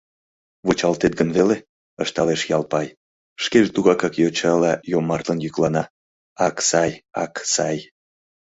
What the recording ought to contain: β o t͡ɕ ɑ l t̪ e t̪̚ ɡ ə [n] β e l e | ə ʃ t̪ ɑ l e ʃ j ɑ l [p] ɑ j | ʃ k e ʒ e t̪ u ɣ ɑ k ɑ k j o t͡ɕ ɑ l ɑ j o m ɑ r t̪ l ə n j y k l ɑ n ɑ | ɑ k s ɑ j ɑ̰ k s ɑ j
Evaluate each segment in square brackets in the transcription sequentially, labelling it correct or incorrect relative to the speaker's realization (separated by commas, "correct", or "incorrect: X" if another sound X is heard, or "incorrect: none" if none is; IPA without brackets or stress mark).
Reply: correct, correct